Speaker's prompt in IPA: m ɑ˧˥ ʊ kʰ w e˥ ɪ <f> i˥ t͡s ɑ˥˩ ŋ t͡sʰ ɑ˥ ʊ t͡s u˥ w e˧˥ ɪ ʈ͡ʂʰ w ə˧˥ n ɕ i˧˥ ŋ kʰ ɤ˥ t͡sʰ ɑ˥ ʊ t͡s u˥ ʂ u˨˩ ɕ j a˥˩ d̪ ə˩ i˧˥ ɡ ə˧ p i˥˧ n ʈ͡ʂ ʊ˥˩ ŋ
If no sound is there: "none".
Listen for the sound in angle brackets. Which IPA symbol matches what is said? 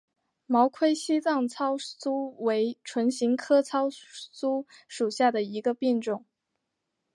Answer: ɕ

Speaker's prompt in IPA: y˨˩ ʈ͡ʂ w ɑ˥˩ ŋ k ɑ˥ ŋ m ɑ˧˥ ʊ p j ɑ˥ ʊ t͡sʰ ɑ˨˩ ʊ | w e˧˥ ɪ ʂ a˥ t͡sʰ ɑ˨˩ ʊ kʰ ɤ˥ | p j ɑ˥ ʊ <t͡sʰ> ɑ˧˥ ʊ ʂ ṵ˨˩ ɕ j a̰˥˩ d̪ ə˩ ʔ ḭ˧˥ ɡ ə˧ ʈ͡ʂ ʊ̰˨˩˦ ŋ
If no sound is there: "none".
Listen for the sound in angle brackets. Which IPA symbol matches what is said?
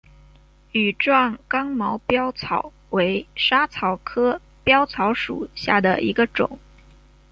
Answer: t͡sʰ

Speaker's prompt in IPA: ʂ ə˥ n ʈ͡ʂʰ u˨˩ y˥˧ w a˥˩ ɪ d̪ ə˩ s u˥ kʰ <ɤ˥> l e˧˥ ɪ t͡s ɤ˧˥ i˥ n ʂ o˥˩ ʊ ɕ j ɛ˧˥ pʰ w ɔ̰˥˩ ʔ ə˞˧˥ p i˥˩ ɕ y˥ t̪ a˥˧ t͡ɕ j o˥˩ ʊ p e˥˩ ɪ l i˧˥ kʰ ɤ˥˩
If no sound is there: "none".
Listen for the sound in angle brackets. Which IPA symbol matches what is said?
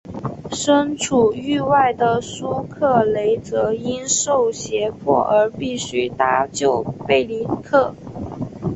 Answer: ɤ˥˩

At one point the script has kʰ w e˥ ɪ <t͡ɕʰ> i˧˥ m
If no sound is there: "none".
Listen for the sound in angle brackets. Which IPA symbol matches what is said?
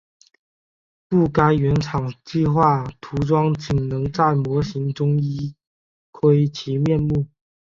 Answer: t͡ɕʰ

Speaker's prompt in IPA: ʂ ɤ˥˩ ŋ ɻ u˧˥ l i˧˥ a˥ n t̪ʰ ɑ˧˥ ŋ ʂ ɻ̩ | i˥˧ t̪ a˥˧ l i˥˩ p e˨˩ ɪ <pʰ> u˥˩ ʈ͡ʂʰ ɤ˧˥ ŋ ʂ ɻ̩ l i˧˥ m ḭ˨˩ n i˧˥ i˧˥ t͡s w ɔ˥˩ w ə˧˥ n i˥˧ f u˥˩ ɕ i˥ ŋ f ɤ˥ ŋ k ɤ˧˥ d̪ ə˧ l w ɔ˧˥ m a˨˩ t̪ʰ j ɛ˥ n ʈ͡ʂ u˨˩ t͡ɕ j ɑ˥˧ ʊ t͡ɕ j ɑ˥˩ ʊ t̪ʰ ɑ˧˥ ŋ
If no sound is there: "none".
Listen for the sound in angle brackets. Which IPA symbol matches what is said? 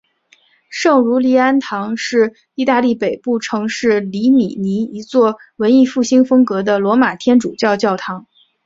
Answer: p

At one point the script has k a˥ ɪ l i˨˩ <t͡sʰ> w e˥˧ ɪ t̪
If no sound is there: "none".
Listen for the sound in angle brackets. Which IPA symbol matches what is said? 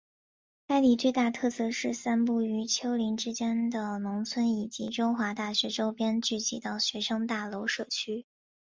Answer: t͡s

